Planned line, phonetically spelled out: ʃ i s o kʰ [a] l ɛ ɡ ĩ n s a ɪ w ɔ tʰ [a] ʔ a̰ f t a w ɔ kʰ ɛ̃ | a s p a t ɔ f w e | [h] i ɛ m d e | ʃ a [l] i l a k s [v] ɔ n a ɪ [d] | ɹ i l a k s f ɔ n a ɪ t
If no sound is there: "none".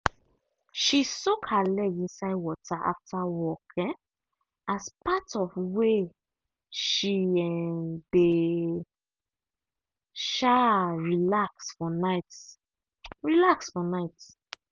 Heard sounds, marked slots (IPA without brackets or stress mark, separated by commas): a, a, ʃ, ɹ, f, t